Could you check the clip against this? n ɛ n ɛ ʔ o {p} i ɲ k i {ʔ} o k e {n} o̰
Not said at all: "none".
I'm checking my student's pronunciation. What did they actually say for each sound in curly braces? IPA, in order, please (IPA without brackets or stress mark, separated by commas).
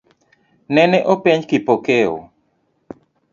p, p, none